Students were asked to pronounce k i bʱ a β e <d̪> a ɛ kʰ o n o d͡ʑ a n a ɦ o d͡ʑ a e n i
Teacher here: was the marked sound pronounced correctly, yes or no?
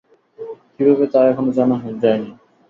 no